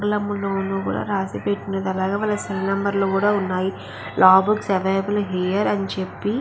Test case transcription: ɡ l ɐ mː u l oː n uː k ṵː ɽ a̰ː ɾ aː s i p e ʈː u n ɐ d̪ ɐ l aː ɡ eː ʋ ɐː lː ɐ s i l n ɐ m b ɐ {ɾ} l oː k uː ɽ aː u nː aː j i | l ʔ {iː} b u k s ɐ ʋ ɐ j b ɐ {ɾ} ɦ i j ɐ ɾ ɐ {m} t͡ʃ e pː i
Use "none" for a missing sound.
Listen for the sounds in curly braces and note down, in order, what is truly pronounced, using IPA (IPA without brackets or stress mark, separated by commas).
ɾ, aː, l, n